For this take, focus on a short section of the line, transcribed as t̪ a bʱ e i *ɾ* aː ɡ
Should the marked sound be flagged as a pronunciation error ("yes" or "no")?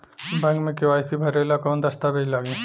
yes